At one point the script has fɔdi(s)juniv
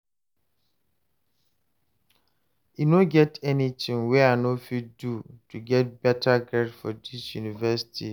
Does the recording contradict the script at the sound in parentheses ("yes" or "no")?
no